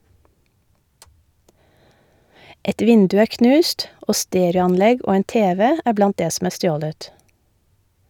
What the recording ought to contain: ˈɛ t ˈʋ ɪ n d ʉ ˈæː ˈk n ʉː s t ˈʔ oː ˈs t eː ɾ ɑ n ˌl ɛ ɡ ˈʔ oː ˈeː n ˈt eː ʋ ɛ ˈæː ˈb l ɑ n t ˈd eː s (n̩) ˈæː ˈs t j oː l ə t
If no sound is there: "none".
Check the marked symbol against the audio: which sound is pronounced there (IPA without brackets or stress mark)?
m̩